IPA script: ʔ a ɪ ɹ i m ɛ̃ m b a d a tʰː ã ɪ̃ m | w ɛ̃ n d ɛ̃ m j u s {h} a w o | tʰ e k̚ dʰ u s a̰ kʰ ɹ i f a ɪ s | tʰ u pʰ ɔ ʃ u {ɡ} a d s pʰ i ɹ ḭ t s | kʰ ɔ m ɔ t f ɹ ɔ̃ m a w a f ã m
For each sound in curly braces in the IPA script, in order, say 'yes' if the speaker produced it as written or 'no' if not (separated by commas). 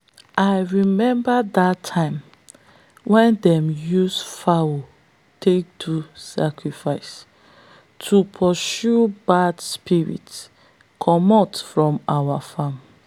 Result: no, no